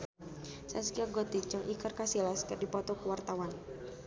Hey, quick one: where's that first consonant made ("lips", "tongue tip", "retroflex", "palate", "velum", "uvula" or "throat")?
tongue tip